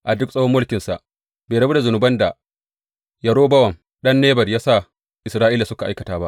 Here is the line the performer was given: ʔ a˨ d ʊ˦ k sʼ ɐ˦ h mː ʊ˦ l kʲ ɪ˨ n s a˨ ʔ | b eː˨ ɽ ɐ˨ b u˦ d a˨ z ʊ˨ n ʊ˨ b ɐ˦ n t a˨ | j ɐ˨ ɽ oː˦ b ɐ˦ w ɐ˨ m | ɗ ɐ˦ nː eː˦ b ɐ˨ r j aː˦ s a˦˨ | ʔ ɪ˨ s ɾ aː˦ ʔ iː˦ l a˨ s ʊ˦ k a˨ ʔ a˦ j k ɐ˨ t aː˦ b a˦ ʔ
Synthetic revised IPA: ʔ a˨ d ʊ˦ k sʼ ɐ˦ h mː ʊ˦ l kʲ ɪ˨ n s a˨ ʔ | b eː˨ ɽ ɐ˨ b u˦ d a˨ z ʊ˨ n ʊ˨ b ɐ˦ n d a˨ | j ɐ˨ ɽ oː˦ b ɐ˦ w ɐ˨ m | ɗ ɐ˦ nː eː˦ b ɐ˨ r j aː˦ s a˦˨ | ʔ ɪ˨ s ɾ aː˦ ʔ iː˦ l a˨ s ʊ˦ k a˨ ʔ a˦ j k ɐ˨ t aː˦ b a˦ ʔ